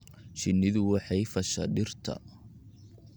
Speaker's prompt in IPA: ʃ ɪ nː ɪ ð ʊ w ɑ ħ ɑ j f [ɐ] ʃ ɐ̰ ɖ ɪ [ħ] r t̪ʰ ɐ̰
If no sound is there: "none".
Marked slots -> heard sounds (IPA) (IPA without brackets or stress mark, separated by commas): ɐ, none